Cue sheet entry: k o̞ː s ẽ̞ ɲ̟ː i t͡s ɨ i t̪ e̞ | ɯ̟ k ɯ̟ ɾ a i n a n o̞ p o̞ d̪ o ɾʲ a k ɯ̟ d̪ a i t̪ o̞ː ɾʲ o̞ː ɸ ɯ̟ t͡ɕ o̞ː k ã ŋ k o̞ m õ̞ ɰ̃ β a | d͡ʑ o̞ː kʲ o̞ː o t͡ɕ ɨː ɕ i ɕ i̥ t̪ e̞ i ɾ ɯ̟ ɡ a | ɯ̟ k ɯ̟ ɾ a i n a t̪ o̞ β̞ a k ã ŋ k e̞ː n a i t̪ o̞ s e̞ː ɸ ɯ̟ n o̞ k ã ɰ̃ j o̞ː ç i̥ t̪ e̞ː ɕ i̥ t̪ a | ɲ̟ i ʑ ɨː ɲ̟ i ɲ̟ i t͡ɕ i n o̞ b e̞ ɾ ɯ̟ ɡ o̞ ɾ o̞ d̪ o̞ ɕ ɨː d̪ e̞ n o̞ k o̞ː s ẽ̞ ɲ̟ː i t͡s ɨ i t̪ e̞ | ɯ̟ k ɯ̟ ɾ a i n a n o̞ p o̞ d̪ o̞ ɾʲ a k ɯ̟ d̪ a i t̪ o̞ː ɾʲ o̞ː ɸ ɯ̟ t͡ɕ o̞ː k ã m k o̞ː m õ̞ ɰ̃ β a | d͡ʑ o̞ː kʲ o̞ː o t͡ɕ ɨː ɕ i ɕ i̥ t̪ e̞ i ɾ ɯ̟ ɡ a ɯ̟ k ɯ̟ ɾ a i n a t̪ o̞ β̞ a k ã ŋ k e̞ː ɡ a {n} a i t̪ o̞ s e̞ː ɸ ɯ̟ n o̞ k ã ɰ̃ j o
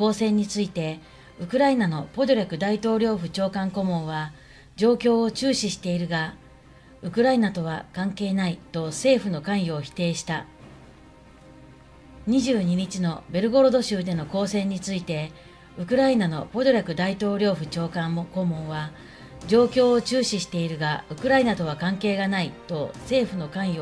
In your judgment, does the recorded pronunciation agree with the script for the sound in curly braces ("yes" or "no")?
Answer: yes